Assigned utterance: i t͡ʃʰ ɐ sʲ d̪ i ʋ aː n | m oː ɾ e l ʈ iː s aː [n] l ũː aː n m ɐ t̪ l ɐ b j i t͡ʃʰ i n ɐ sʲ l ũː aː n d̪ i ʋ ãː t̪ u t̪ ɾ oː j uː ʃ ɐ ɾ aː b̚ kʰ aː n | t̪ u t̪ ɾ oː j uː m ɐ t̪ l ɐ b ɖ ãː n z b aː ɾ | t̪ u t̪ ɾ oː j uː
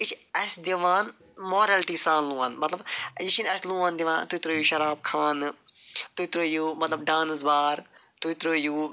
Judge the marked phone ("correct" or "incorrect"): correct